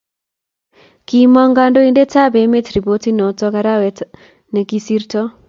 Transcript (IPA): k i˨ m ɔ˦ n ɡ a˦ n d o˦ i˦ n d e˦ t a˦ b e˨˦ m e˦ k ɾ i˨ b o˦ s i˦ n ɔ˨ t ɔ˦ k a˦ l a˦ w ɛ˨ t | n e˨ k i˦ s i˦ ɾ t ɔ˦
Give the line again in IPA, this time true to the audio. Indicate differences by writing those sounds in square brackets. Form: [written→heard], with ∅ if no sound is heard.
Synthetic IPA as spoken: k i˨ m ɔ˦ [n→ŋ] ɡ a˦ n d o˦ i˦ n d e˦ t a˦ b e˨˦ m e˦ [k→t] ɾ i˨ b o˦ [s→t] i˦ n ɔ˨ t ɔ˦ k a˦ [l→ɾ] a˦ w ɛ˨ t | n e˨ k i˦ s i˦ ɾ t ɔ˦